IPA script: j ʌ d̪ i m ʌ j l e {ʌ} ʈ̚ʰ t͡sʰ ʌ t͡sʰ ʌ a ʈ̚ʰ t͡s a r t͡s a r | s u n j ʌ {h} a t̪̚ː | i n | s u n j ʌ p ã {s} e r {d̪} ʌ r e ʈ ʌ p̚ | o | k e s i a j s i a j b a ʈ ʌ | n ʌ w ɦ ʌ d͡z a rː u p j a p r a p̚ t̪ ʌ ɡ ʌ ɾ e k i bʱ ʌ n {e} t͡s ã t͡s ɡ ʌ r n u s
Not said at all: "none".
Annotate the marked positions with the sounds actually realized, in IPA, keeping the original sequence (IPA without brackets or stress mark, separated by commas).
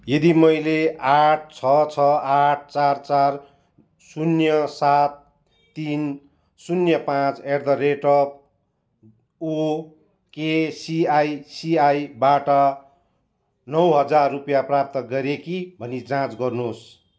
a, s, t͡s, d̪, i